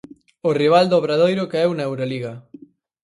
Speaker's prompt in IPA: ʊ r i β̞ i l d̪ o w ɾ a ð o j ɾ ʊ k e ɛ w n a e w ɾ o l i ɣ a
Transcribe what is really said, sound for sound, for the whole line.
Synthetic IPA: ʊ r i β̞ a l d̪ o β ɾ a ð o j ɾ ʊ k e ɛ w n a e w ɾ o l i ɣ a